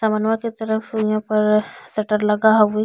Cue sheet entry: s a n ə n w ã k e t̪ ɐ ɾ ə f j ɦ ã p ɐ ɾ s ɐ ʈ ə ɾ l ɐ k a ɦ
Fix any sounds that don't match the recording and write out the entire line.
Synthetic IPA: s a m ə n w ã k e t̪ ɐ ɾ ə f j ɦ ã p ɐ ɾ s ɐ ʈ ə ɾ l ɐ ɡ a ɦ